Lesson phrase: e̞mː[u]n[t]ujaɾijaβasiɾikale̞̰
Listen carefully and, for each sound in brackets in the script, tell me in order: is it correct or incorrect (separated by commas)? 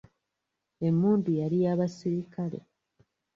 incorrect, incorrect